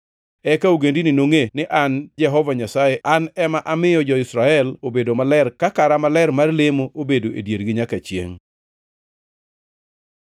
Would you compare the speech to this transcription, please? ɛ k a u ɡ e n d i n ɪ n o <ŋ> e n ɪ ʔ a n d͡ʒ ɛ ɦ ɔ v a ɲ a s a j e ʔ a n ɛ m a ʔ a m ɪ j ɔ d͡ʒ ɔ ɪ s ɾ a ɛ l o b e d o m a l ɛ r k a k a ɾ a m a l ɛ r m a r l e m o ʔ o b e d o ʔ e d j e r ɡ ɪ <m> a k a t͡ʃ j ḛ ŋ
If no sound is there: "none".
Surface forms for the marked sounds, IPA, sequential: ŋ, ɲ

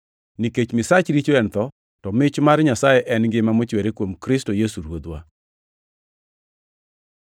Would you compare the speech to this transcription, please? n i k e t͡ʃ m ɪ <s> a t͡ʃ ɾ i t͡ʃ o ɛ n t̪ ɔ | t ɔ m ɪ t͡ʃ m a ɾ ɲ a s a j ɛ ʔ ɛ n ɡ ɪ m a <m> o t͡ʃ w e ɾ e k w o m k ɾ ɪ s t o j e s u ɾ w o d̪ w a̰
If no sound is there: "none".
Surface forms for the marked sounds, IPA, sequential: s, m

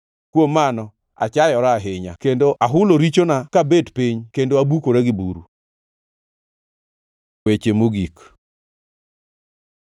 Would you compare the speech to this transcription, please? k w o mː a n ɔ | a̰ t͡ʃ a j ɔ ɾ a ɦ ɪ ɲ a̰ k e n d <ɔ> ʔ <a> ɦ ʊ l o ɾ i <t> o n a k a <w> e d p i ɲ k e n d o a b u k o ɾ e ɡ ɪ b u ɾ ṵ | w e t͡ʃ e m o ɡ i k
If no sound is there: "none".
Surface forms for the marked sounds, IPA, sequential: o, a, t͡ʃ, b

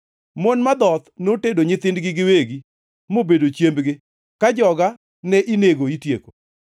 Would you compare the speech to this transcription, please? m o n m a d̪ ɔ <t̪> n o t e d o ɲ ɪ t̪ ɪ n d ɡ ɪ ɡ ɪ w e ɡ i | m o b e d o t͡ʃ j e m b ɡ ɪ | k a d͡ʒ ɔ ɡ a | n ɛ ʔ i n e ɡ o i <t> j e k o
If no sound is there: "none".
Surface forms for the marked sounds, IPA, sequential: t̪, t

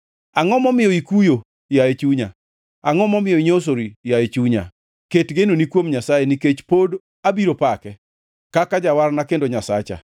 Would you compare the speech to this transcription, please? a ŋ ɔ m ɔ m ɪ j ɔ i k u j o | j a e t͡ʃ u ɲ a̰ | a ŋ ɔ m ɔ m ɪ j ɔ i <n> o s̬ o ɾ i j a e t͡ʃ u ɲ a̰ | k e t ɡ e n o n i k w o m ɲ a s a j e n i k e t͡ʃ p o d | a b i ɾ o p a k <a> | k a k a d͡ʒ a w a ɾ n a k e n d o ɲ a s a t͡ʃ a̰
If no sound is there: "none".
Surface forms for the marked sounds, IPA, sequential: ɲ, ɛ

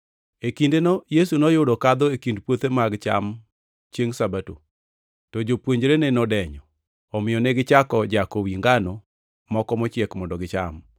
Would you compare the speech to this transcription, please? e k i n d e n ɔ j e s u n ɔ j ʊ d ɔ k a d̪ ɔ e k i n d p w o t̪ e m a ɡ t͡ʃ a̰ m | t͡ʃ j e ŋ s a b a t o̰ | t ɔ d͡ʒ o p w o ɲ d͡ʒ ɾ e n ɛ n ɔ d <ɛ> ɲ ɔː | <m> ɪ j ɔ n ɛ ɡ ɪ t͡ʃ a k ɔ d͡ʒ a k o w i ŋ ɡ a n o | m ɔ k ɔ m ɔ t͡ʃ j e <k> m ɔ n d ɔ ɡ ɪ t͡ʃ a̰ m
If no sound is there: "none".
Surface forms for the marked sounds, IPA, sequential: ɛ, m, k

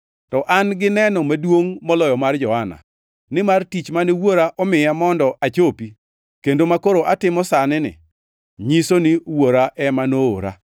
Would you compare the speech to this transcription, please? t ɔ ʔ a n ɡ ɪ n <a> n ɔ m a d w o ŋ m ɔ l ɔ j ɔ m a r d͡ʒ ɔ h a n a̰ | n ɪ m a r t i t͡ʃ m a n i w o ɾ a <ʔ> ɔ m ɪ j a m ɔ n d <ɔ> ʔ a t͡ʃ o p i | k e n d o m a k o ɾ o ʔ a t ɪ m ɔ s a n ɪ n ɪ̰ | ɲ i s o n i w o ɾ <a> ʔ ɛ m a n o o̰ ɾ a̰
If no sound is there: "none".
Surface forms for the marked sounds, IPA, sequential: ɛ, ʔ, ɔ, a

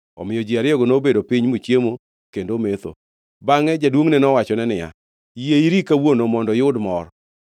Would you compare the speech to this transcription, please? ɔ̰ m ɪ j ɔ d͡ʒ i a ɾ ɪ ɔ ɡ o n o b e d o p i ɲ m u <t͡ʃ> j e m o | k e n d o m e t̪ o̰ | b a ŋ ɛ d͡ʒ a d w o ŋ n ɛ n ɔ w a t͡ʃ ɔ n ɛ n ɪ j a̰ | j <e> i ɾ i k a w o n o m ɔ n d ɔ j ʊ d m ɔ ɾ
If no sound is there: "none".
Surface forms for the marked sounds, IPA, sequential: t͡ʃ, e

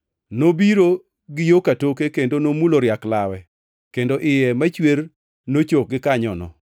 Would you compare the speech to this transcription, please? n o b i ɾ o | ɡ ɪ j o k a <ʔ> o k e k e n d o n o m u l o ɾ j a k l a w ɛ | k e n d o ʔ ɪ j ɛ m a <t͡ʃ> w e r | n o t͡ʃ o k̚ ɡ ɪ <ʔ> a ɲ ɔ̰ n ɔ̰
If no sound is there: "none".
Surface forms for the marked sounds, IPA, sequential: t, t͡ʃ, k

